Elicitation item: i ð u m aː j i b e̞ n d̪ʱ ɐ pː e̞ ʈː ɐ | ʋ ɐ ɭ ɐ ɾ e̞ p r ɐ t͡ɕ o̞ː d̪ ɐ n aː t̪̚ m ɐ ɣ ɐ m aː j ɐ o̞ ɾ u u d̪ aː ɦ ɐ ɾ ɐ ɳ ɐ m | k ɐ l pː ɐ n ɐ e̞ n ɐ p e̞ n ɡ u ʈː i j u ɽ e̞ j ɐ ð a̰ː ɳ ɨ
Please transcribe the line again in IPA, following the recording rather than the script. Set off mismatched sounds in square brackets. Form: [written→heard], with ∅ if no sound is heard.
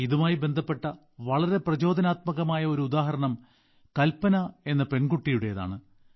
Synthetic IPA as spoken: i ð u m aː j i b e̞ n d̪ʱ ɐ pː e̞ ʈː ɐ | ʋ ɐ ɭ ɐ ɾ e̞ p r ɐ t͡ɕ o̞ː d̪ ɐ n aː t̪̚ m ɐ ɣ ɐ m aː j ɐ o̞ ɾ u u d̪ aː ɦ ɐ ɾ ɐ ɳ ɐ m | k ɐ l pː ɐ n ɐ e̞ [n→nː] ɐ p e̞ n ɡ u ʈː i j u ɽ e̞ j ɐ ð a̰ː ɳ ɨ